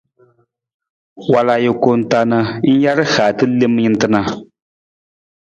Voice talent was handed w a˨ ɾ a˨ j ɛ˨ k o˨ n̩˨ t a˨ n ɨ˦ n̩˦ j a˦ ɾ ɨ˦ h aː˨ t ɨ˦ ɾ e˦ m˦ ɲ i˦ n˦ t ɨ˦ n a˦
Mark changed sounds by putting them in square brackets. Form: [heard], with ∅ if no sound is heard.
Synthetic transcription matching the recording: w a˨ [l] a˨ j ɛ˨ k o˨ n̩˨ t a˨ n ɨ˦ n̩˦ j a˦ ɾ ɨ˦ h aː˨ t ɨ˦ [l] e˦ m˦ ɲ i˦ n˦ t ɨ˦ n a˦